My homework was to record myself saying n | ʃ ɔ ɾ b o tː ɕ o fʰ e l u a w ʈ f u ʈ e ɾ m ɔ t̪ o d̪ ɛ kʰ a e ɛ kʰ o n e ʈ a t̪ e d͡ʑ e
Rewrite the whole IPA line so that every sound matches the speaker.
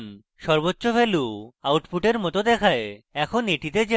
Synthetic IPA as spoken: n | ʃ ɔ ɾ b o tː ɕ o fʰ e l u a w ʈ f u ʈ e ɾ m ɔ t̪ o d̪ ɛ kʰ a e ɛ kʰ o n e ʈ i t̪ e d͡ʑ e

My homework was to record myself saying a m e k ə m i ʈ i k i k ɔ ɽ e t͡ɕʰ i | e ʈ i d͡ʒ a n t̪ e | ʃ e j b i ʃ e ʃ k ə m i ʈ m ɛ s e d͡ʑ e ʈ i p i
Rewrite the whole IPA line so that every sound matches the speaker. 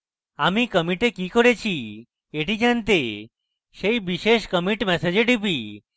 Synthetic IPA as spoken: a m i k ə m i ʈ e k i k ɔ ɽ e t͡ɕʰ i | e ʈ i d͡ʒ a n t̪ e | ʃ e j b i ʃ e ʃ k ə m i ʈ m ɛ s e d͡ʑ e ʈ i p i

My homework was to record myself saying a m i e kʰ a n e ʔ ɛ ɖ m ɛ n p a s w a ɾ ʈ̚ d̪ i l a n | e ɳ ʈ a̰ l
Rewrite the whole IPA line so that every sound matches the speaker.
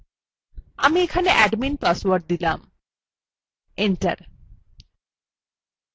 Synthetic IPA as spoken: a m i e kʰ a n e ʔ ɛ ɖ m i n p a s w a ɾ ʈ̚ d̪ i l a m | e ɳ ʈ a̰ ɾ

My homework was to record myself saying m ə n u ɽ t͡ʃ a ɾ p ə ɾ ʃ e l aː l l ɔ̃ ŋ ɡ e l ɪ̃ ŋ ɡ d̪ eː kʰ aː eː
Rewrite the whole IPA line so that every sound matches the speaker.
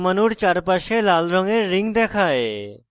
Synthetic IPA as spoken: m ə n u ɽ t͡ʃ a ɾ p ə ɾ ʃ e l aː l ɾ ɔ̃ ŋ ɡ e ɾ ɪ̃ ŋ ɡ d̪ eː kʰ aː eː

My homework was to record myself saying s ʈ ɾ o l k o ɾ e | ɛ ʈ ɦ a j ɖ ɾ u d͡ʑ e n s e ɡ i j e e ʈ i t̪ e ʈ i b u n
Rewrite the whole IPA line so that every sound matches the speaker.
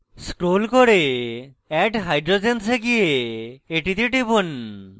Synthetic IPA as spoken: s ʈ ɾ o l k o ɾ e | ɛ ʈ ɦ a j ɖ ɾ o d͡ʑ e n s e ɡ i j e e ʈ i t̪ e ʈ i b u n

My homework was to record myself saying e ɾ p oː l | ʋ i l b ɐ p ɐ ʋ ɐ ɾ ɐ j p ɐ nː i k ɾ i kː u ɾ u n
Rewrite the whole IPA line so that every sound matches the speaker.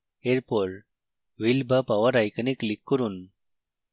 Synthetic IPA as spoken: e ɾ p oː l | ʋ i l b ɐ p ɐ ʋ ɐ ɾ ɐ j k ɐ n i k l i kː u ɾ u n

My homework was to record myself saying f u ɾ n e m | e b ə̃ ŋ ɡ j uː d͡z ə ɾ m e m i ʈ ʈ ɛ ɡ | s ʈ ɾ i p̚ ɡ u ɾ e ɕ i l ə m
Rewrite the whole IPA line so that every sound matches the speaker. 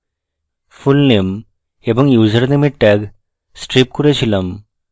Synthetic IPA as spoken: f u l n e m | e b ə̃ ŋ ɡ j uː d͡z ə ɾ n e m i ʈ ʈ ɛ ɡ | s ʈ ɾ i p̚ k u ɾ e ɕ i l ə m

